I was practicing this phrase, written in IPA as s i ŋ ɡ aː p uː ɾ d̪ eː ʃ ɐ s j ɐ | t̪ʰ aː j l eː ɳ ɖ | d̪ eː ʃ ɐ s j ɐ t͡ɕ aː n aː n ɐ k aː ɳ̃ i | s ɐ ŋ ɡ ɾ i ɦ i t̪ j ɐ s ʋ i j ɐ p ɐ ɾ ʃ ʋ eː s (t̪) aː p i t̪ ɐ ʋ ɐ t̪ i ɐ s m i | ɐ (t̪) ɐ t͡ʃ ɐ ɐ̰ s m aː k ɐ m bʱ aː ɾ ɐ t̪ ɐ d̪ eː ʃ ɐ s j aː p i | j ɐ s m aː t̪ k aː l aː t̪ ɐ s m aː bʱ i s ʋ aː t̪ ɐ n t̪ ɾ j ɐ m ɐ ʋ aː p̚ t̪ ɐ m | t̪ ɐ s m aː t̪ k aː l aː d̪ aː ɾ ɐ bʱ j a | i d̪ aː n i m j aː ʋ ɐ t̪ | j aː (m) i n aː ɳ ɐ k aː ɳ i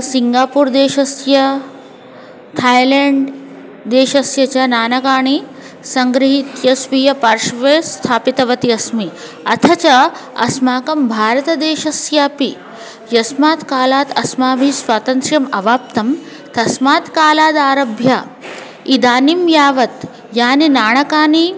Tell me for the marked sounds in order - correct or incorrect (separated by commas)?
incorrect, incorrect, incorrect